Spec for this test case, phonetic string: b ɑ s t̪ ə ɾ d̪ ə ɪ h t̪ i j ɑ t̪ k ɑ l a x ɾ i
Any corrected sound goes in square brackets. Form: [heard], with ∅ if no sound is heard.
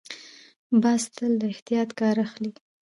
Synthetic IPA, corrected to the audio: b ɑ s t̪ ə [l] d̪ ə ɪ h t̪ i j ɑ t̪ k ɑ [ɾ] a x [l] i